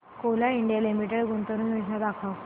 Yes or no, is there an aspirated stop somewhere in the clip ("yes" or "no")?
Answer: yes